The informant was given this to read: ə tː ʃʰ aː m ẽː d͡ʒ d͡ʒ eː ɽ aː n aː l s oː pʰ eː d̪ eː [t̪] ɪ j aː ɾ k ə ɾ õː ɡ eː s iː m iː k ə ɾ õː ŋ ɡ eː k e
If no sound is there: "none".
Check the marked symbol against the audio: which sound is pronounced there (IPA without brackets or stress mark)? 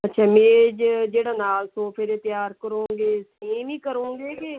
t̪